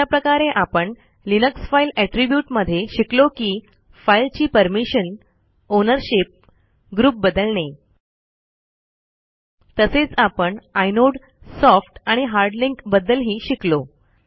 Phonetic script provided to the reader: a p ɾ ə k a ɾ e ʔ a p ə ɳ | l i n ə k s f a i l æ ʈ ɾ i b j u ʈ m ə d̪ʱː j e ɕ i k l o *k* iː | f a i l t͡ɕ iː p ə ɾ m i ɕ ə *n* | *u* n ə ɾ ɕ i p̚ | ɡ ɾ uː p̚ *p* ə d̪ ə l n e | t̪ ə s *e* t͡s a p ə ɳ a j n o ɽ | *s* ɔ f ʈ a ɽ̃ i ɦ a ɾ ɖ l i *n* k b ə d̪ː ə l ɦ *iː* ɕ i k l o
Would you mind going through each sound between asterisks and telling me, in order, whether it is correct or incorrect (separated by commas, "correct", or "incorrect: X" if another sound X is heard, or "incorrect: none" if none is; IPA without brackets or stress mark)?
correct, correct, incorrect: o, incorrect: b, correct, correct, incorrect: ŋ, correct